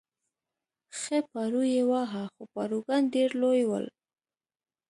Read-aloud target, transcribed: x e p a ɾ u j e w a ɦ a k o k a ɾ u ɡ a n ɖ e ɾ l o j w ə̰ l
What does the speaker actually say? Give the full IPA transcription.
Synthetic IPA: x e p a ɾ u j e w a ɦ a x o p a ɾ u ɡ a n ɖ e ɾ l o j w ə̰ l